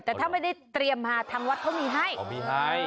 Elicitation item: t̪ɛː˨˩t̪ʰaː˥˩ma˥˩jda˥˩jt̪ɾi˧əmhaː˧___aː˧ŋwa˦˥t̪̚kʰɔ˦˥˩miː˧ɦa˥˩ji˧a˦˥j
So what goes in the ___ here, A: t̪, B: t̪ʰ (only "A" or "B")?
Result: B